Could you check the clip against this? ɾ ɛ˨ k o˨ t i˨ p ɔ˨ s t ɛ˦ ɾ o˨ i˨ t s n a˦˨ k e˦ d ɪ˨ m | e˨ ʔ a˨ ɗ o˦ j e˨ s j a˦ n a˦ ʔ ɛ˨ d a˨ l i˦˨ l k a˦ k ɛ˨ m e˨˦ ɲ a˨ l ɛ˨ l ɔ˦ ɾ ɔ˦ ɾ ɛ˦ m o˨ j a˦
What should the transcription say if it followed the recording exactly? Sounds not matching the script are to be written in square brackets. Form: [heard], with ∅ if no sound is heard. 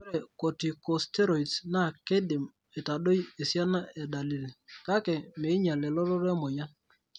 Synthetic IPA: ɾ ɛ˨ k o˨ t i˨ [k] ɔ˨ s t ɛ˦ ɾ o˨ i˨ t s n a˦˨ k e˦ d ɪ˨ m | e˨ [t] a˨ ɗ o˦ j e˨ s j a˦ n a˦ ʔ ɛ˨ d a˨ l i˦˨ l k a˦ k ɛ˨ m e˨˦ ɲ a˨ l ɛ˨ l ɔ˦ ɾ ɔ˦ ɾ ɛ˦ m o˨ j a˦